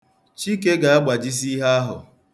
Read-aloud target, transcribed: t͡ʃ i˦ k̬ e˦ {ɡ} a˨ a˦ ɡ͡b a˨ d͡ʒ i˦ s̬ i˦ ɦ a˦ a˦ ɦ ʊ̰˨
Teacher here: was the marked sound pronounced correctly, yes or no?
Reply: yes